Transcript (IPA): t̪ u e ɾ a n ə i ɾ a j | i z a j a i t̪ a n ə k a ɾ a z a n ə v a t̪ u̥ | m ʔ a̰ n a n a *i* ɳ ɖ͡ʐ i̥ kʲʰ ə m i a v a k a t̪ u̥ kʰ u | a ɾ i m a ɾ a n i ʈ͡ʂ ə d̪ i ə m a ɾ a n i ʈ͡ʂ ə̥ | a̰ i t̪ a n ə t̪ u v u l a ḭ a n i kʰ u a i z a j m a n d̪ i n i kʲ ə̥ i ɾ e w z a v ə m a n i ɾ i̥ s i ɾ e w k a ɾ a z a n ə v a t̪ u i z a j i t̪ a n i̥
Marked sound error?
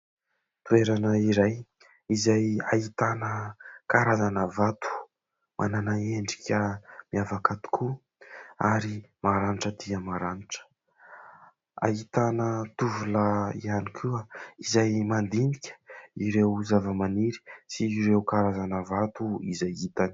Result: yes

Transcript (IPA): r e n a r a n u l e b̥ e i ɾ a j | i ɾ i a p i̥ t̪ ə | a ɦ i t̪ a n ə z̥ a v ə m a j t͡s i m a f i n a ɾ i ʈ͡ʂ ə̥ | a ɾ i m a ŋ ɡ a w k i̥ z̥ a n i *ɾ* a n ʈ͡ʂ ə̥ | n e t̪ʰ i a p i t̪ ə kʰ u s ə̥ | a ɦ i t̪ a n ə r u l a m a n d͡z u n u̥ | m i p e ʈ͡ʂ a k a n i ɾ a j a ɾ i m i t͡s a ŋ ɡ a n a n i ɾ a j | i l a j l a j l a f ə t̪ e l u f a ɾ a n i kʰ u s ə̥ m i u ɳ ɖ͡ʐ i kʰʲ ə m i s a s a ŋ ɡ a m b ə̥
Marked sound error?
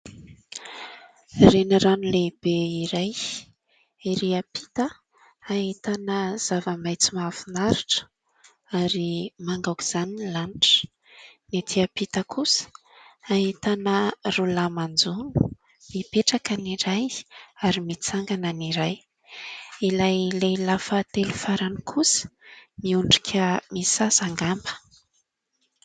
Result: yes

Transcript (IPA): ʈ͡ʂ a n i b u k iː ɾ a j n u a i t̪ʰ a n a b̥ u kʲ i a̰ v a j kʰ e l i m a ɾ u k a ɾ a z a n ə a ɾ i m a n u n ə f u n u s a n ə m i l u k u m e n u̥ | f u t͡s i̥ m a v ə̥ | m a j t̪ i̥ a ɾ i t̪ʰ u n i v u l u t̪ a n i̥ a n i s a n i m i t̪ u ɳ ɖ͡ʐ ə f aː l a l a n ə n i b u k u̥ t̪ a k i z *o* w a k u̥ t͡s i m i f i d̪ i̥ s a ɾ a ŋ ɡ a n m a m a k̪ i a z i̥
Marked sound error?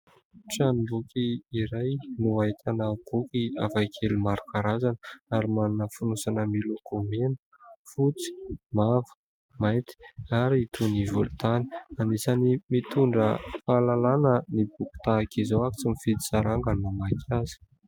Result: no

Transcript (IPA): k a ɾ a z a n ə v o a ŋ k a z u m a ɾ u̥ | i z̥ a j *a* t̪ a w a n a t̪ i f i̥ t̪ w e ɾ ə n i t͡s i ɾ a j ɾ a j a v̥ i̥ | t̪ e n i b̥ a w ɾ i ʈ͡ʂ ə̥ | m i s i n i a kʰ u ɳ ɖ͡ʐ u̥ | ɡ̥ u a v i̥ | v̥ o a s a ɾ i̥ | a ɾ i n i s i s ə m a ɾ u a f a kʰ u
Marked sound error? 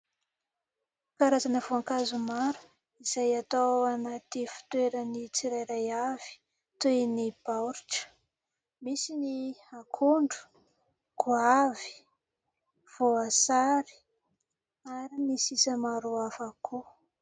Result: no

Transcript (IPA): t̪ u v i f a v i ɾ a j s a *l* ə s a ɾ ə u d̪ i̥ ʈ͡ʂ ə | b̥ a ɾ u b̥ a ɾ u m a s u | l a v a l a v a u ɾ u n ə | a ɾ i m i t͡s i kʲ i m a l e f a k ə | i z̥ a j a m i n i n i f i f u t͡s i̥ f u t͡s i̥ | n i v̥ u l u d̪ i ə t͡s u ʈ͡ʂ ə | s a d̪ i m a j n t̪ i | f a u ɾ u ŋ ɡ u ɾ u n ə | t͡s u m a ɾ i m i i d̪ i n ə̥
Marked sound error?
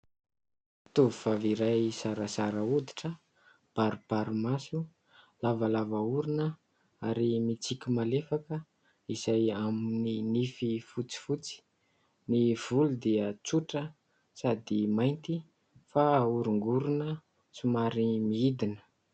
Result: yes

